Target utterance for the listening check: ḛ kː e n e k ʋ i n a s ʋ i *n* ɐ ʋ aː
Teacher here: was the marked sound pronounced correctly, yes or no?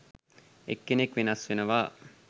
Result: yes